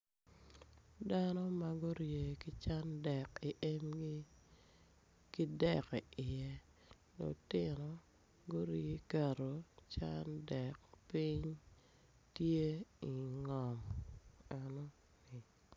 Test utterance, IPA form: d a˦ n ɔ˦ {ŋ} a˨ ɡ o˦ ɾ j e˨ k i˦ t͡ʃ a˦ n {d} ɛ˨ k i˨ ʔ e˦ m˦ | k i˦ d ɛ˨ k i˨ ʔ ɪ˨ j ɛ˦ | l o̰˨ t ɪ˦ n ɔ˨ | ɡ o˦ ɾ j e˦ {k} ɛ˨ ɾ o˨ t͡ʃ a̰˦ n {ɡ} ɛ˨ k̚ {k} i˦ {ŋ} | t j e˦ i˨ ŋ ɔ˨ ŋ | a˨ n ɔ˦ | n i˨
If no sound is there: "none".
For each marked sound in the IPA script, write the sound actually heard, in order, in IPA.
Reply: m, d, k, d, p, ɲ

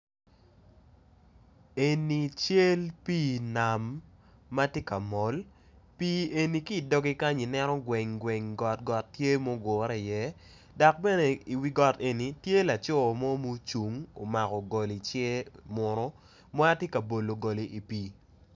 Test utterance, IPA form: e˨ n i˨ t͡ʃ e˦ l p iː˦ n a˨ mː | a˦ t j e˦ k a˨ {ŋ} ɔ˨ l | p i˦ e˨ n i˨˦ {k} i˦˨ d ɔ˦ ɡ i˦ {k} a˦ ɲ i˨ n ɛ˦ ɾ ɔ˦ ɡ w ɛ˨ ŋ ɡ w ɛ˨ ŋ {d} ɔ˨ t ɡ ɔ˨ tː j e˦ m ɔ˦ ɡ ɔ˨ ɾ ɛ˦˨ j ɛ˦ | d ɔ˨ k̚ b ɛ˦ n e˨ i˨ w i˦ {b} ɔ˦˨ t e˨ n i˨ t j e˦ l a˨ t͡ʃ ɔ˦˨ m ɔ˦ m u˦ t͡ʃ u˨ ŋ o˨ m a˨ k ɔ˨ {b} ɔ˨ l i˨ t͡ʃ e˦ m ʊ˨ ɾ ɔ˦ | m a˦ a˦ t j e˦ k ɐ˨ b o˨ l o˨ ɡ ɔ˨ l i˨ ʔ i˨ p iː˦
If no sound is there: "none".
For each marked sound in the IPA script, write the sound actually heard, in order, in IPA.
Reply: m, k, k, ɡ, ɡ, ɡ

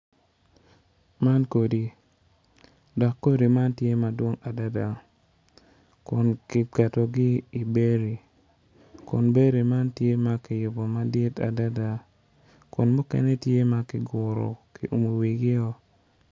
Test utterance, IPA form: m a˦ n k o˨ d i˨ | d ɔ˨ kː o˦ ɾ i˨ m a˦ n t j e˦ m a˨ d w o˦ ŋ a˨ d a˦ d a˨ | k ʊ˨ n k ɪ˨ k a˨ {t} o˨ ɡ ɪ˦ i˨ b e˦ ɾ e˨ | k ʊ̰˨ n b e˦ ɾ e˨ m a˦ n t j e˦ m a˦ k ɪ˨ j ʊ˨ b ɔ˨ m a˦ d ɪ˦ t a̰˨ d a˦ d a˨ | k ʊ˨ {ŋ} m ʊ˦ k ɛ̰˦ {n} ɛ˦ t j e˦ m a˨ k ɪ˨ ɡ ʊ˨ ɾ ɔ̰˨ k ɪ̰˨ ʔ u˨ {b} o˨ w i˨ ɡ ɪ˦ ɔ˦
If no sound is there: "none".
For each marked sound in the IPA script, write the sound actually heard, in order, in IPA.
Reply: t, n, n, m

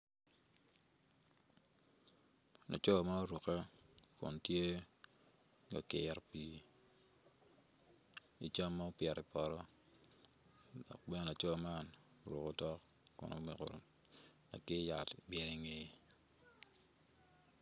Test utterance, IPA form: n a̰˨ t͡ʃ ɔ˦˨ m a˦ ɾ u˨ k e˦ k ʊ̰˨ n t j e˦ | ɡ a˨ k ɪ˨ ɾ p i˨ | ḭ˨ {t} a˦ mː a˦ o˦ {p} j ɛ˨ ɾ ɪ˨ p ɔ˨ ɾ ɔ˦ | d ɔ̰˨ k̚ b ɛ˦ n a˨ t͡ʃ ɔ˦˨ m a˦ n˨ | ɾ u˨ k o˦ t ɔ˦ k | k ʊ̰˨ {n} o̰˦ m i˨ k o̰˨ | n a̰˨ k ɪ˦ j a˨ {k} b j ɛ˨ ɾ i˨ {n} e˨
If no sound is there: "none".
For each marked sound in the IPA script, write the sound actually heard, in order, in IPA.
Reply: t͡ʃ, p, n, t, ŋ

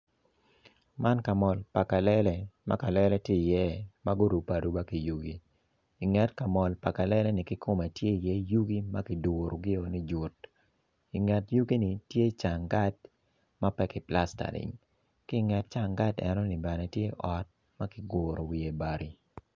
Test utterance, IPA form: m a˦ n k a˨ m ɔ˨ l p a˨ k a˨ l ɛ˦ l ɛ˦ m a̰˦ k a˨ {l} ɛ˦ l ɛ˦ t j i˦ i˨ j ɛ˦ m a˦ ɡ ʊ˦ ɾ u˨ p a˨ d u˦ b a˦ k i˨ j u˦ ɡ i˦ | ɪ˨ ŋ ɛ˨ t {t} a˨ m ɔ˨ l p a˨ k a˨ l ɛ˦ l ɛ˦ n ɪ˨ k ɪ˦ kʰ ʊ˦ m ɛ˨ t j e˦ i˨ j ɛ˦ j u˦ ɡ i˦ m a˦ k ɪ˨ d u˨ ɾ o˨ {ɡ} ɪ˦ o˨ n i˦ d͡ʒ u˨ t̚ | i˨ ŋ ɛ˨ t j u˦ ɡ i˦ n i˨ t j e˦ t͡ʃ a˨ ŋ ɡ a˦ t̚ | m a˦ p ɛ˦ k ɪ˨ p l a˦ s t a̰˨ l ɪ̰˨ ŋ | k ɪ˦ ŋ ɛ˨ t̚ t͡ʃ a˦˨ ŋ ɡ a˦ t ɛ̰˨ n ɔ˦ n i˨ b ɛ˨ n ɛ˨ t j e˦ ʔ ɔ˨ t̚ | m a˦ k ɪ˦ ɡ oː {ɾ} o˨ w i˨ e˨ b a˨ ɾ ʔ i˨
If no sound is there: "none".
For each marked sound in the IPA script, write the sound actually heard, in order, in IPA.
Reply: l, k, ɡ, ɾ

